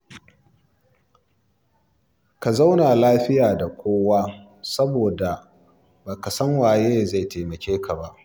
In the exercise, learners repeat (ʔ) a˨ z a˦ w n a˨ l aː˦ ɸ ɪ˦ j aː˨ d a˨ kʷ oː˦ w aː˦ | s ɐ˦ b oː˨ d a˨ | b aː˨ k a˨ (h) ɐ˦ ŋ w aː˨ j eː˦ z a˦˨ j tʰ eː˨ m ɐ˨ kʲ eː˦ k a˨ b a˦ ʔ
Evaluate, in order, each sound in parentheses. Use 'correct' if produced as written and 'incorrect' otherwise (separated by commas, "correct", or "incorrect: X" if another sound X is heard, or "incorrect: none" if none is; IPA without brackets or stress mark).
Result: incorrect: k, incorrect: s